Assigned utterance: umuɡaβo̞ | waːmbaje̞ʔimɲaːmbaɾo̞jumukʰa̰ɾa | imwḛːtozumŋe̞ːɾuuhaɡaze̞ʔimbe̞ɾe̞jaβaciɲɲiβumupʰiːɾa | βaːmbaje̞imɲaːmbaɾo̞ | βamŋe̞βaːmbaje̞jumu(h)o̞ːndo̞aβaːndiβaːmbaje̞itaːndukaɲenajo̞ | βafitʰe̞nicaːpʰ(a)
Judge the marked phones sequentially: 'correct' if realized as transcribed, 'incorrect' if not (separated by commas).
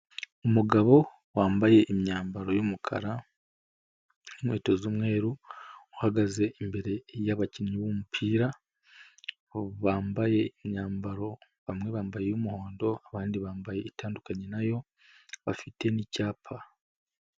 correct, correct